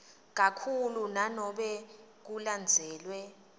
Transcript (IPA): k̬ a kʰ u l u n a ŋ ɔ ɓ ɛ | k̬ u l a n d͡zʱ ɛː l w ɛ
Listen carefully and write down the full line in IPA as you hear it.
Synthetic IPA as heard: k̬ a kʰ u l u n a n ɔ ɓ ɛ | k̬ u l a n d͡zʱ ɛː l w ɛ